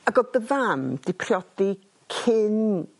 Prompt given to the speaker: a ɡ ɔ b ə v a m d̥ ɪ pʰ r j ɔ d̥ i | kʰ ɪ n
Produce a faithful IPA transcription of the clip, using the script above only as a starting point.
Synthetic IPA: a ɡ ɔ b ə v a m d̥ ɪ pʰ r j ɔ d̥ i | kʰ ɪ n